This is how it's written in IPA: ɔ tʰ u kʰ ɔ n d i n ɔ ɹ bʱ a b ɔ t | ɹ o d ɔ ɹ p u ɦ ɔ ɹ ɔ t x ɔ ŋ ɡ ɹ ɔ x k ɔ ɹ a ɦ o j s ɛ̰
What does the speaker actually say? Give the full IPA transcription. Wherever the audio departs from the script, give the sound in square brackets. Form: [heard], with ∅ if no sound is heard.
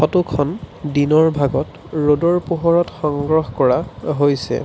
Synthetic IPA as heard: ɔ [t] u kʰ ɔ n d i n ɔ ɹ bʱ a [ɡ] ɔ t | ɹ o d ɔ ɹ p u ɦ ɔ ɹ ɔ t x ɔ ŋ ɡ ɹ ɔ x k ɔ ɹ a ɦ o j s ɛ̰